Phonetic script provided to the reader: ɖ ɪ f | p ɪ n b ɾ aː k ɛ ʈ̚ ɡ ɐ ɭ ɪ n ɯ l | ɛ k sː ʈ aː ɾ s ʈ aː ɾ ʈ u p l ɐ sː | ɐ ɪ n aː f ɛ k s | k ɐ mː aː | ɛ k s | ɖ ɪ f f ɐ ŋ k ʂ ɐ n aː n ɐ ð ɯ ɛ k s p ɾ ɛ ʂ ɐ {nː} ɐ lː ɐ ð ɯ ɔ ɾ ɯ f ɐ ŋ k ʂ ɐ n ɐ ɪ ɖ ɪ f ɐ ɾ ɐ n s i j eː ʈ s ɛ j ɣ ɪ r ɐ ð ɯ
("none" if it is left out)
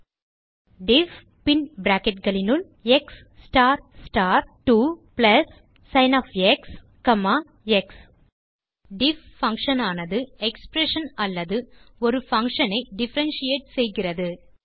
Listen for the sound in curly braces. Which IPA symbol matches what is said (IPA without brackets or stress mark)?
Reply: n